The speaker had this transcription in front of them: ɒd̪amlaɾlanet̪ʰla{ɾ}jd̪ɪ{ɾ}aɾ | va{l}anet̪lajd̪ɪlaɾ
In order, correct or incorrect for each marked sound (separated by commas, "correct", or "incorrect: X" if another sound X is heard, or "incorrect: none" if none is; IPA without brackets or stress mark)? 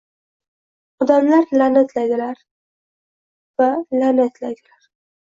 incorrect: none, incorrect: l, correct